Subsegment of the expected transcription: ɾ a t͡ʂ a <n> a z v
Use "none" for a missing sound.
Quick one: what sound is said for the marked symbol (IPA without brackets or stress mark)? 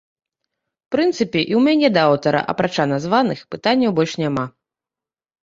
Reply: n